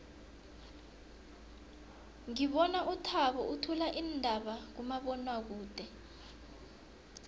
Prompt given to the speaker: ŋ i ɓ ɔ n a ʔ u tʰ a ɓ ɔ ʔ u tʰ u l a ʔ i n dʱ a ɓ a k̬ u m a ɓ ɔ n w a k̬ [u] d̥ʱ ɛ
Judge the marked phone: incorrect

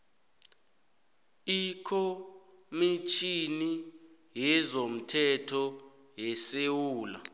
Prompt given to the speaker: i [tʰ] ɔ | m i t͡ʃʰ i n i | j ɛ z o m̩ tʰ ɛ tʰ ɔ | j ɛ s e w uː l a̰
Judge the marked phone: incorrect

